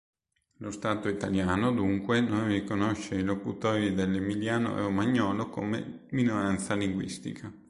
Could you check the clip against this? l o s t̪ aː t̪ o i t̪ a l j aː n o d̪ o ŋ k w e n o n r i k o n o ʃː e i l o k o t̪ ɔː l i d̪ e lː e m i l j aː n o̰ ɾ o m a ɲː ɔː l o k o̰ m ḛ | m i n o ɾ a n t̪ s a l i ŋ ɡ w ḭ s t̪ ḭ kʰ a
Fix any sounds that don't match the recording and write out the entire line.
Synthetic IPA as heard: l o s t̪ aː t̪ o i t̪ a l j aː n o d̪ u ŋ k w e n o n r i k o n o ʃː e i l o k u t̪ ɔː ɾ i d̪ e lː e m i l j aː n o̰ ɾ o m a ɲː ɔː l o k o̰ m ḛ | m i n o ɾ a n t̪ s a l i ŋ ɡ w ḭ s t̪ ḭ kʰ a